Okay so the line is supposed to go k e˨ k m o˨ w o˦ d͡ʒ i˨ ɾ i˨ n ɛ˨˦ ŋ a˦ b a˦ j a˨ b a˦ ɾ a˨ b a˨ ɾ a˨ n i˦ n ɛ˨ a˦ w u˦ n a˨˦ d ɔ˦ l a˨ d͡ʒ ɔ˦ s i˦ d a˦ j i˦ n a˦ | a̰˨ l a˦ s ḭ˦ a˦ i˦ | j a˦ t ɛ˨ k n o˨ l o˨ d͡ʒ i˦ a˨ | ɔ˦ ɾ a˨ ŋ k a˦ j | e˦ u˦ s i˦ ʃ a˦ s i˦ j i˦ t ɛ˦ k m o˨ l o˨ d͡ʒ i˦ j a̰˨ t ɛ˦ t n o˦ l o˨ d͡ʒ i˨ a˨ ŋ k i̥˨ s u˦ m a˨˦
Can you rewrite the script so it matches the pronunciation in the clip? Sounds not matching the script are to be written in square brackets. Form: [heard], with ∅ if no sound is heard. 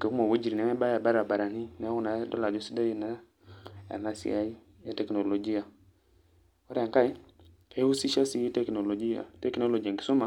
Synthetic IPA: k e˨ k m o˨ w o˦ d͡ʒ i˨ ɾ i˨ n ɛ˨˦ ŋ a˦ b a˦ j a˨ b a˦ ɾ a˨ b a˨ ɾ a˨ n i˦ n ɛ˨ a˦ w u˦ n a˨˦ d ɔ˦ l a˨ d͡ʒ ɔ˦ s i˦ d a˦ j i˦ n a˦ | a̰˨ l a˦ s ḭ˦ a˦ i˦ | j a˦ t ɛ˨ k n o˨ l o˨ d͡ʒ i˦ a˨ | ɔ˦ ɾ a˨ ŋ k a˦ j | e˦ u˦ s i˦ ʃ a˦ s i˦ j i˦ t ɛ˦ k [n] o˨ l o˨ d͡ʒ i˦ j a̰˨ t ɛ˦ [k] n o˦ l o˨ d͡ʒ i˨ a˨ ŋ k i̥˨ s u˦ m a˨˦

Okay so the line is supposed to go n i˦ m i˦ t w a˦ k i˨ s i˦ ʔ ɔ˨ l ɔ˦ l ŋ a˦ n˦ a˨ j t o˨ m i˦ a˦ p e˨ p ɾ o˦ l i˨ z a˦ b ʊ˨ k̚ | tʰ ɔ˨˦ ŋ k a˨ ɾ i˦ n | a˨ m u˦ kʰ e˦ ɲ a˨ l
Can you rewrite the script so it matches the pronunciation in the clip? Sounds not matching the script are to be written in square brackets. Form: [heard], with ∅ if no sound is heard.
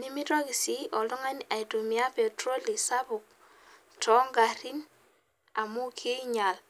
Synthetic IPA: n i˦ m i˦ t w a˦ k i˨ s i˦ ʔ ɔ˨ l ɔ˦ [∅] ŋ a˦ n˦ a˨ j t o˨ m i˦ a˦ p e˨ [t] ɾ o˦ l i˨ [s] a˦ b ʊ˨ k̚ | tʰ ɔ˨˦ ŋ [ɡ] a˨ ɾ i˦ n | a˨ m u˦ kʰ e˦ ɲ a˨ l

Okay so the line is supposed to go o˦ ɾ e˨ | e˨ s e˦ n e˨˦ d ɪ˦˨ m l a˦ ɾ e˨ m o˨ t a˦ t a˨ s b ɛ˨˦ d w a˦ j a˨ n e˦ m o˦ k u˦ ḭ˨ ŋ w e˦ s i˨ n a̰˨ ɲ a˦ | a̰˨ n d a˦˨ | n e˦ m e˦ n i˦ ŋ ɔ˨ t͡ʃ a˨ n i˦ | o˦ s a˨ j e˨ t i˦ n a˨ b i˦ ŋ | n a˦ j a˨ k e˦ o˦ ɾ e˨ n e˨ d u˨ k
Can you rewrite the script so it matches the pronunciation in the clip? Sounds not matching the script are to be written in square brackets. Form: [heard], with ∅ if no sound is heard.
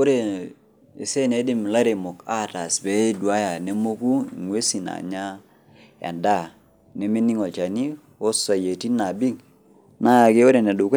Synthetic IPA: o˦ ɾ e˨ | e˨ s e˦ n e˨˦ d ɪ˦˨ m l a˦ ɾ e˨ m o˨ [k] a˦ t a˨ s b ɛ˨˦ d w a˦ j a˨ n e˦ m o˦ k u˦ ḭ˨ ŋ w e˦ s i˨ n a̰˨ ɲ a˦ | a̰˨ n d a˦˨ | n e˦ m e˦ n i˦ ŋ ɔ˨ t͡ʃ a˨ n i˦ | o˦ s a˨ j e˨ t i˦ n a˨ b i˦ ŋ | n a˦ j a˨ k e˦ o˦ ɾ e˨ n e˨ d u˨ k

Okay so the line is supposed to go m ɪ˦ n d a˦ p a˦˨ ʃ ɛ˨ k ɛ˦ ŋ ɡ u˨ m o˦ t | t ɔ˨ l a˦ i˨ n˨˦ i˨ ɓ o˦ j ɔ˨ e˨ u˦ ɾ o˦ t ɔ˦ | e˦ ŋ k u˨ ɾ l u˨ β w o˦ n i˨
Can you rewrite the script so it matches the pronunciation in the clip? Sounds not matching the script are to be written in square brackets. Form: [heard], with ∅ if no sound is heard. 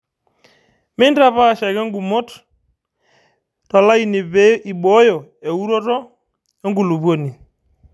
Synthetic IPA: m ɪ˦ n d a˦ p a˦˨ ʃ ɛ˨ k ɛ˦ ŋ ɡ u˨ m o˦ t | t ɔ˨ l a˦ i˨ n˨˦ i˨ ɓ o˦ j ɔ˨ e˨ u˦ ɾ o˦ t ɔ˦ | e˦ ŋ [ɡ] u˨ [∅] l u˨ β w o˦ n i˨

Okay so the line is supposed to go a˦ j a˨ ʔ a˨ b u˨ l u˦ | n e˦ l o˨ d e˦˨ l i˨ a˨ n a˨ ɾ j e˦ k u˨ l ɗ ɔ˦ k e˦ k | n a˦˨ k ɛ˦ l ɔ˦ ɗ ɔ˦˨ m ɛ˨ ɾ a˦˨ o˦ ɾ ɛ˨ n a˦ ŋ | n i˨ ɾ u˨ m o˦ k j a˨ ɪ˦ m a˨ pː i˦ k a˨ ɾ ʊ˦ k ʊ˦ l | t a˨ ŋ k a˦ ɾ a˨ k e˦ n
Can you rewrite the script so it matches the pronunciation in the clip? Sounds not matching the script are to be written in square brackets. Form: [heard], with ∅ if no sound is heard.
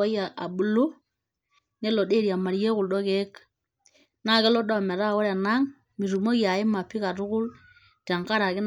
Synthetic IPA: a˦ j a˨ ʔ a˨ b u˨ l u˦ | n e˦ l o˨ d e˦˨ [ɾ] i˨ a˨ [m] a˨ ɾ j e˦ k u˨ l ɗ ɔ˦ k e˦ k | n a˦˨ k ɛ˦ l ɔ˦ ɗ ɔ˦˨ m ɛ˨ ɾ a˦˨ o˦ ɾ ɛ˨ n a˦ ŋ | [m] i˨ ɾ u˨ m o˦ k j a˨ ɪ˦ m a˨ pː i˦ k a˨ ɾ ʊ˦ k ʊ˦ l | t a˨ ŋ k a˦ ɾ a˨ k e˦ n

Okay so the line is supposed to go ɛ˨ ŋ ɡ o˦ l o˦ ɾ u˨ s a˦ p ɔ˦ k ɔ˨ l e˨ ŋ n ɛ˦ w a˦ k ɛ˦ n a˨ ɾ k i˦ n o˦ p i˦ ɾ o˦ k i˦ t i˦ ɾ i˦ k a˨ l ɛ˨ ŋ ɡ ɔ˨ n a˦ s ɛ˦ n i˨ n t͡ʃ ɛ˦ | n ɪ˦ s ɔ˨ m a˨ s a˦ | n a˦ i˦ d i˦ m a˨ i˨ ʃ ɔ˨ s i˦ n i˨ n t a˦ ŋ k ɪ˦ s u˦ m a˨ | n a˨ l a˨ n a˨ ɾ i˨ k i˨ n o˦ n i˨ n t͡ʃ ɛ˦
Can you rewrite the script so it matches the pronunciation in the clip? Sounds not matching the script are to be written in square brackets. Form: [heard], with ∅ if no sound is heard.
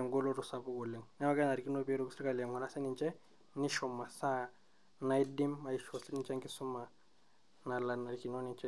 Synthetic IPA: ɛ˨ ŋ ɡ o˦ l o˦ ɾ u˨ s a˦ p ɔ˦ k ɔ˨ l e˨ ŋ n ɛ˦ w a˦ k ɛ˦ n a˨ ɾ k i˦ n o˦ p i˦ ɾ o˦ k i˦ [s] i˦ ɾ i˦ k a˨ l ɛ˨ ŋ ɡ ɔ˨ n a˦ s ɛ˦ n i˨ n t͡ʃ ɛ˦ | n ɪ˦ [ʃ] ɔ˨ m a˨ s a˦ | n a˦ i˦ d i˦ m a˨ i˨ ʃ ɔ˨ s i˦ n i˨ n [t͡ʃ] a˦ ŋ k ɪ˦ s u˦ m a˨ | n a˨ l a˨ n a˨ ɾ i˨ k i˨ n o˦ n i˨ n t͡ʃ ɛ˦

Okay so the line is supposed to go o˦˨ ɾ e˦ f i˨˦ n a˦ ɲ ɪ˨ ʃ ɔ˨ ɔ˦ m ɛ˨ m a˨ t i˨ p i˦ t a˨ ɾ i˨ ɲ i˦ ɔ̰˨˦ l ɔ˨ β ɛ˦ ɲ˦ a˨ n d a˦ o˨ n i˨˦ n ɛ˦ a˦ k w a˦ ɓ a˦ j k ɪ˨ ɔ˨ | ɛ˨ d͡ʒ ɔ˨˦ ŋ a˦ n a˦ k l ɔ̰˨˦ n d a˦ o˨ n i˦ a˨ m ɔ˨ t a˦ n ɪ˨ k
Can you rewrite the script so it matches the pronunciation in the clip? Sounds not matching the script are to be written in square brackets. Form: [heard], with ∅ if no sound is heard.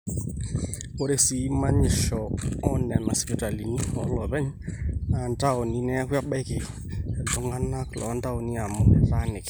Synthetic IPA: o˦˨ ɾ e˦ [s] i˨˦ [m] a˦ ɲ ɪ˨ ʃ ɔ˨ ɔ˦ [n] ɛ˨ m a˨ [s] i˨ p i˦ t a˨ [l] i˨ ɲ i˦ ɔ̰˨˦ l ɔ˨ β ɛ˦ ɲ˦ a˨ n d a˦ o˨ n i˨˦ n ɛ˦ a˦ k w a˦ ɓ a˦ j k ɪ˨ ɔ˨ | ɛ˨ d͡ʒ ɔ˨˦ ŋ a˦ n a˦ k l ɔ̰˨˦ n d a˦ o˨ n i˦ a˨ m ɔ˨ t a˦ n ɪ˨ k

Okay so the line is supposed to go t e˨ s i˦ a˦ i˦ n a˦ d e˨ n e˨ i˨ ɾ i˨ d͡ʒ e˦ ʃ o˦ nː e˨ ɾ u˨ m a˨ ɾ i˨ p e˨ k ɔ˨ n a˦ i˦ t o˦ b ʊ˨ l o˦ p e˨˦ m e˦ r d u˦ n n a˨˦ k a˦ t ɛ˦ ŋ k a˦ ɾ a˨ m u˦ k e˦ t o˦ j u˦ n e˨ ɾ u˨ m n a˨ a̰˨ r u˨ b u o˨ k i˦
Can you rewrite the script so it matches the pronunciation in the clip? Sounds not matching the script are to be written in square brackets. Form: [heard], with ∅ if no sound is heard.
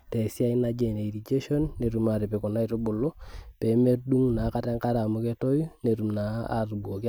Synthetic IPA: t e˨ s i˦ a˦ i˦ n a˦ [d͡ʒ] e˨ n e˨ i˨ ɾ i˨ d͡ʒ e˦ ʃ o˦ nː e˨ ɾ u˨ m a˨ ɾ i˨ p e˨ k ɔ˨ n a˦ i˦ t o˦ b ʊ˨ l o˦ p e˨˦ m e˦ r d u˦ [ŋ] n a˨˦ k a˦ t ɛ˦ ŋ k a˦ ɾ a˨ m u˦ k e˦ t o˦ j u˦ n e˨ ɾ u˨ m n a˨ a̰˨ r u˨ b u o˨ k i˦

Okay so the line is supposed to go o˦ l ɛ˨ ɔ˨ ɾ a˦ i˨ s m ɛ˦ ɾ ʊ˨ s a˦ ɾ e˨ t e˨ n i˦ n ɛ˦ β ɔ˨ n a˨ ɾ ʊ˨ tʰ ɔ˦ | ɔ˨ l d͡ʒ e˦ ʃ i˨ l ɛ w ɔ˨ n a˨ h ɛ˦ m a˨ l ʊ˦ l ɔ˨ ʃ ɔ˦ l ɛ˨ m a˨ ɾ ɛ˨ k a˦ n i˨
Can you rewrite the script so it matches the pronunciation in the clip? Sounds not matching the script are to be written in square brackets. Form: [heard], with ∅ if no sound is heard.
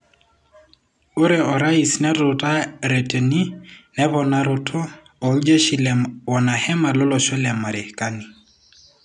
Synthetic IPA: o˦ [ɾ] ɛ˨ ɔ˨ ɾ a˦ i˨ s [n] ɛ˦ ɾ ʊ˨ [t] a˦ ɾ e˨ t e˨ n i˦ n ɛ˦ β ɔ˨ n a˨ ɾ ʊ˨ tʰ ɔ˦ | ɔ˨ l d͡ʒ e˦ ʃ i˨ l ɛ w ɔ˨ n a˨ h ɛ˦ m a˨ l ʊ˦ l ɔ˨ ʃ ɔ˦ l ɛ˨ m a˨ ɾ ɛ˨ k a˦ n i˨

